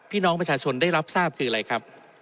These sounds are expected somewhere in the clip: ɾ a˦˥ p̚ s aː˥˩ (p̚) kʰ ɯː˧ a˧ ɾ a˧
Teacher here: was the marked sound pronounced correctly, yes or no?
yes